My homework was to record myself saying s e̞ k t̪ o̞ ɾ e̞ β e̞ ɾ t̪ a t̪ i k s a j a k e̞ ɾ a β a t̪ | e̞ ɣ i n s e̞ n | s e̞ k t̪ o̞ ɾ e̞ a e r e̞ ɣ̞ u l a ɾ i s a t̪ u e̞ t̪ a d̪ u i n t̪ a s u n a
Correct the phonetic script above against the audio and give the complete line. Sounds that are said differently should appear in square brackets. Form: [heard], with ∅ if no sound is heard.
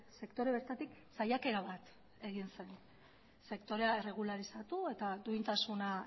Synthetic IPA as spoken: s e̞ k t̪ o̞ ɾ e̞ β e̞ ɾ t̪ a t̪ i k s a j a k e̞ ɾ a β a t̪ | e̞ ɣ i n s e̞ n | s e̞ k t̪ o̞ ɾ e̞ a e r e̞ ɣ̞ u l a ɾ i s a t̪ u e̞ t̪ a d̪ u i n t̪ a s u n a